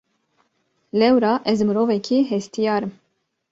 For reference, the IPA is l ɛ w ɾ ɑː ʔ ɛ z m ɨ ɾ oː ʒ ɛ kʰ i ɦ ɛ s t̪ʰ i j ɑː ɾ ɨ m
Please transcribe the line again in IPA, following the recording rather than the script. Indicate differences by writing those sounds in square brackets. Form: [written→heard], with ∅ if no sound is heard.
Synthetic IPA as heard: l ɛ w ɾ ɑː ʔ ɛ z m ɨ ɾ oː [ʒ→v] ɛ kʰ i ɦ ɛ s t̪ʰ i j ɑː ɾ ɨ m